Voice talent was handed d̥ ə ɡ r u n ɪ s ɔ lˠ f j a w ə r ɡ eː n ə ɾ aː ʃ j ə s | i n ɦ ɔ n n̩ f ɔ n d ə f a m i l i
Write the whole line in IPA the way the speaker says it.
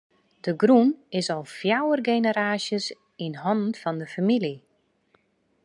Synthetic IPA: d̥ ə ɡ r u n ɪ s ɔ lˠ f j a w ə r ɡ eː n ə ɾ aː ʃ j ə s | i n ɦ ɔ n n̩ f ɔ n d ə f a m i l i